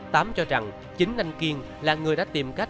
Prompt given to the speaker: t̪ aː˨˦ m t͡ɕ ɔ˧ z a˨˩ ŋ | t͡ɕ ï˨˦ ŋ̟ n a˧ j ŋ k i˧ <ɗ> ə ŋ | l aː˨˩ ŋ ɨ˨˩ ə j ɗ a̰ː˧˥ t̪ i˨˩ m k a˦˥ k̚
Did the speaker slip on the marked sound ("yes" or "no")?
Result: yes